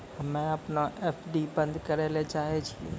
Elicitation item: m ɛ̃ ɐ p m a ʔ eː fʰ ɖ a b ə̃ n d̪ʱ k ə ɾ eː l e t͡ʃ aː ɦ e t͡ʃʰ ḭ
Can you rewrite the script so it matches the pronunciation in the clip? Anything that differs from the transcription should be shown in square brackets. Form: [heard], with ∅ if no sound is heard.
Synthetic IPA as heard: m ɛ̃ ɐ p [n] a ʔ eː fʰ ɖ [i] b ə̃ n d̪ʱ k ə ɾ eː l e t͡ʃ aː ɦ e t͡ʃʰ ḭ